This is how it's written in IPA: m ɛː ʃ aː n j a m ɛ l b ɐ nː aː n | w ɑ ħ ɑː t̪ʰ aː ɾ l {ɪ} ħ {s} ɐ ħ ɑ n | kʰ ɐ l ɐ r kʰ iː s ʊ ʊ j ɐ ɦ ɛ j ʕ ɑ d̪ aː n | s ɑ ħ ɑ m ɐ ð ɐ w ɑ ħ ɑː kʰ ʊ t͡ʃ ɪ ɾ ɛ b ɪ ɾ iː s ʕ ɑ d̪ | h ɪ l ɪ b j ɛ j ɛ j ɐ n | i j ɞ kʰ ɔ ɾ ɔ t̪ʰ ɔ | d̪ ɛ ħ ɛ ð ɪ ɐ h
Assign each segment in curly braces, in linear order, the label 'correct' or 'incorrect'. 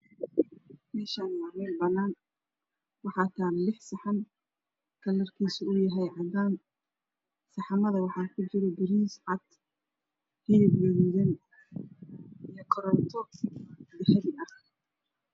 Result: correct, correct

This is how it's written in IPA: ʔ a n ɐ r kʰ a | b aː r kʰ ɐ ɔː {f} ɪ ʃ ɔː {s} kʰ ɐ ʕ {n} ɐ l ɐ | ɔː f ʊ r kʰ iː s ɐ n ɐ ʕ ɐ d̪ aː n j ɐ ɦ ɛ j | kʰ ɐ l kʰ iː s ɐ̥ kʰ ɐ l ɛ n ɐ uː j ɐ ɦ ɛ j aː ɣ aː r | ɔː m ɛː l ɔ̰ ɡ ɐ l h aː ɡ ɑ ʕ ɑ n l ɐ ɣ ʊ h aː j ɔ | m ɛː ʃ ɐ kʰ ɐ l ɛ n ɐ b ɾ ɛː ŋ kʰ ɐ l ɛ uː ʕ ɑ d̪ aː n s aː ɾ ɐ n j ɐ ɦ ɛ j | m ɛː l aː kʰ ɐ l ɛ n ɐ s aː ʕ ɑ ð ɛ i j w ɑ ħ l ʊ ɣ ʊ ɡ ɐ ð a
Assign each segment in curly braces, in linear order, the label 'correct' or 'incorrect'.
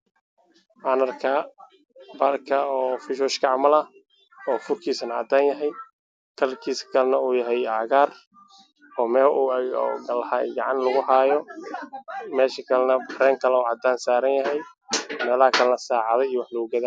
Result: correct, incorrect: ʃ, incorrect: m

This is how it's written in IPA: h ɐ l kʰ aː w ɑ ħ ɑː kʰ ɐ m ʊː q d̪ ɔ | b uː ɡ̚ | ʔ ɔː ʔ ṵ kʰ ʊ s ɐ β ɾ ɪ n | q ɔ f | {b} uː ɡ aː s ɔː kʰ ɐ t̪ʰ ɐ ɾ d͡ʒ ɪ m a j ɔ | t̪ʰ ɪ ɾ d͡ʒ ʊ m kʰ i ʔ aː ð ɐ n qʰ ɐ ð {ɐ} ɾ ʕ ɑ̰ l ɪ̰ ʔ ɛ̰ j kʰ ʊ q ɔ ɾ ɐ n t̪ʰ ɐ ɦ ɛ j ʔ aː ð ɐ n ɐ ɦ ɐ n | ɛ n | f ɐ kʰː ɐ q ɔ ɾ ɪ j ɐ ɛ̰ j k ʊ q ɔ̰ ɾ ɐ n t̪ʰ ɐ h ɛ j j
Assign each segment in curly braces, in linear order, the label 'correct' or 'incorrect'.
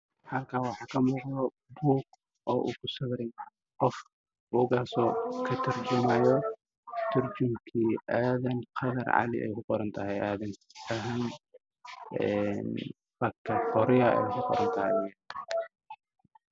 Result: correct, correct

